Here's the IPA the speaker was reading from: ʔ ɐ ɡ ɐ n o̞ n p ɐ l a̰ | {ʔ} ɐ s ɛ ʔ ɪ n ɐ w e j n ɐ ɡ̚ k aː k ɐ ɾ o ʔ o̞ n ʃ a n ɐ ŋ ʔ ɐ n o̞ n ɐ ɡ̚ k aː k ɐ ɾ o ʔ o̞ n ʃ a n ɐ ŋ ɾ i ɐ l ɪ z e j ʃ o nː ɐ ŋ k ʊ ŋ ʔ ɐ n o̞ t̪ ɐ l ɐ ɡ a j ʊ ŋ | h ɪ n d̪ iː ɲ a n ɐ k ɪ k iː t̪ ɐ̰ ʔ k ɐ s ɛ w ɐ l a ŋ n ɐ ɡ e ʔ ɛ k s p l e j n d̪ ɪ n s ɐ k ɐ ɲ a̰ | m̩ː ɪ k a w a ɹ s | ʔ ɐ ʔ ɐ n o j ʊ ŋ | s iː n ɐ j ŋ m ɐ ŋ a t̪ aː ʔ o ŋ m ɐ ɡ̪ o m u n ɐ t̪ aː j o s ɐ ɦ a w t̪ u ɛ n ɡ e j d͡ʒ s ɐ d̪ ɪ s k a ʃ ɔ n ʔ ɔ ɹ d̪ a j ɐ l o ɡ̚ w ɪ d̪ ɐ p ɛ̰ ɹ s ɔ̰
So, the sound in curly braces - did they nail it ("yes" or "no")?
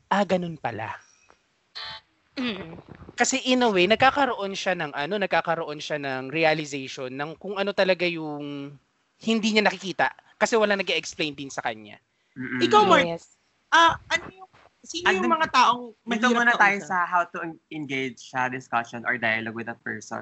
no